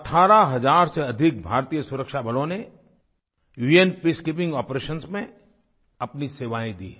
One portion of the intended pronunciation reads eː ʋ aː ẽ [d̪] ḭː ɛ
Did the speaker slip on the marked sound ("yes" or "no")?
no